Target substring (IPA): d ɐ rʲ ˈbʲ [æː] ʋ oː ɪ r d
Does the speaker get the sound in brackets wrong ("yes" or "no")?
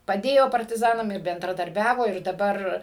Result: no